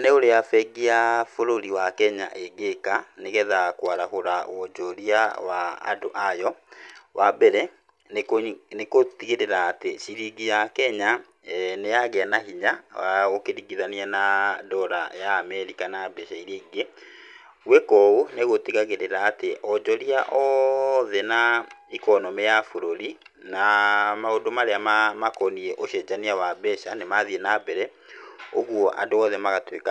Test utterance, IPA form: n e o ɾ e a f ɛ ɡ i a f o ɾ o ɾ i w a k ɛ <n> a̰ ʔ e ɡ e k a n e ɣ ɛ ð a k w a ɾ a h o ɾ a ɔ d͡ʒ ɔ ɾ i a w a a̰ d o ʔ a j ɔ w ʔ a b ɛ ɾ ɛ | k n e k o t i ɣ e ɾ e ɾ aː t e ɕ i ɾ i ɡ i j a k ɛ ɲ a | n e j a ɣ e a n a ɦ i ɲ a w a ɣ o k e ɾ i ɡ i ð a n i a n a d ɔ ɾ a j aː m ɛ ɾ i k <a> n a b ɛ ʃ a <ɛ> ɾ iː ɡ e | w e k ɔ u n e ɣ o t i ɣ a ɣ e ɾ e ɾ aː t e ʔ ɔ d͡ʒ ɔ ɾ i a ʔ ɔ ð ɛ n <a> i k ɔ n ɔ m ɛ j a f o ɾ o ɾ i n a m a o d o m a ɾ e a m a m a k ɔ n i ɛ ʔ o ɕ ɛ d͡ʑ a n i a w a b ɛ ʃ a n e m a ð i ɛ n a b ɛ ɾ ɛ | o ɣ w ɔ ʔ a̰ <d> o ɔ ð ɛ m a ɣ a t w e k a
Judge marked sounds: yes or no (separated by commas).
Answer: no, yes, no, yes, yes